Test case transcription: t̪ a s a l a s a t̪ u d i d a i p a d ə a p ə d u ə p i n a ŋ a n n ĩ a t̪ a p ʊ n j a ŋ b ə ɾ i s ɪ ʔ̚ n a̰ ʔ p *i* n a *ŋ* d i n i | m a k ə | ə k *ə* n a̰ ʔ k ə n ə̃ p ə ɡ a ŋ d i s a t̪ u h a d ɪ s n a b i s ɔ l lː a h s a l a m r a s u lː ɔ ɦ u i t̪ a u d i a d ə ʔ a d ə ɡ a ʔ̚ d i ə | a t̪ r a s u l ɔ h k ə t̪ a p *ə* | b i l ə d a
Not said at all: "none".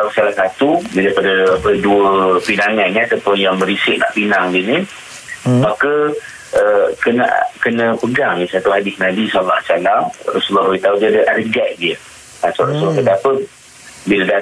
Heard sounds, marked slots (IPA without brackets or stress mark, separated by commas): i, ŋ, ə, ə